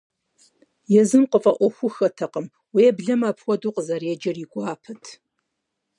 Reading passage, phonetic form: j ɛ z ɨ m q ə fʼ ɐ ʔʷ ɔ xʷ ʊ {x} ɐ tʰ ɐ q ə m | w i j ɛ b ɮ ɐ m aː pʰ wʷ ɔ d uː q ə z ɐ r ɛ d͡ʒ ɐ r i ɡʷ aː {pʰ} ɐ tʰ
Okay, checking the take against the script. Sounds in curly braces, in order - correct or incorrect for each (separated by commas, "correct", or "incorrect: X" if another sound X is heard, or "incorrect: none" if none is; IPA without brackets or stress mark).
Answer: correct, correct